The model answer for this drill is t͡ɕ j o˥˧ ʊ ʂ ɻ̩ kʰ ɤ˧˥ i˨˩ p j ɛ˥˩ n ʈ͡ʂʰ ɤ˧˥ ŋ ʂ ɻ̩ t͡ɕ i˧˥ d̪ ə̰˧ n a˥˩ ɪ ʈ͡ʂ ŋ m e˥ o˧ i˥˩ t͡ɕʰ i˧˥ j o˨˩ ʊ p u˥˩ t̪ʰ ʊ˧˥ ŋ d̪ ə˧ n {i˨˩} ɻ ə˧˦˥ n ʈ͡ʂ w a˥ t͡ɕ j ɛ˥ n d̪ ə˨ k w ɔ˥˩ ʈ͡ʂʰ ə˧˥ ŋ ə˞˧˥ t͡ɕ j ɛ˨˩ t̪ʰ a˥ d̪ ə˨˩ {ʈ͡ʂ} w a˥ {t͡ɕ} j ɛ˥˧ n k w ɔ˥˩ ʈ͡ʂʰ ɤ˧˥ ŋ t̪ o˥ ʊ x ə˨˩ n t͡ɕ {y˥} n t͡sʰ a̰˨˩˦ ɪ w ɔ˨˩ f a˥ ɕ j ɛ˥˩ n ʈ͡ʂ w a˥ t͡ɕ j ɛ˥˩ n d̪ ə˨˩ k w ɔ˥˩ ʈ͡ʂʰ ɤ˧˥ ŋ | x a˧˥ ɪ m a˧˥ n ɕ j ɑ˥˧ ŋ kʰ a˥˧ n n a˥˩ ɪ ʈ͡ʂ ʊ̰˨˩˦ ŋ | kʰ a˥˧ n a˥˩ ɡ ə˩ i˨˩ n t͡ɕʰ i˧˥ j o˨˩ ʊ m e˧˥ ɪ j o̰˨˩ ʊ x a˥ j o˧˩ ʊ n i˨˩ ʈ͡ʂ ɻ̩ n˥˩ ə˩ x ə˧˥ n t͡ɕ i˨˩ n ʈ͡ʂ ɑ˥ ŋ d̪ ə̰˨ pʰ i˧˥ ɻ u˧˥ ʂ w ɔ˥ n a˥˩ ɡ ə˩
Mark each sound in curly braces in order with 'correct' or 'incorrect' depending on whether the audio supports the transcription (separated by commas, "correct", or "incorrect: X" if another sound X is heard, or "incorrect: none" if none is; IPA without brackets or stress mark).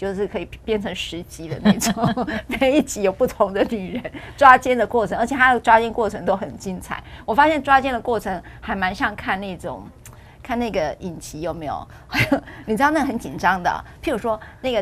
incorrect: y˨˩, correct, correct, incorrect: i˥